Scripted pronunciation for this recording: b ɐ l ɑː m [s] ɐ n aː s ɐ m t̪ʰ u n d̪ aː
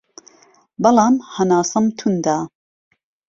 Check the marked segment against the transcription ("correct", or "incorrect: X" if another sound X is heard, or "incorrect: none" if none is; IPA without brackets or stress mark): incorrect: h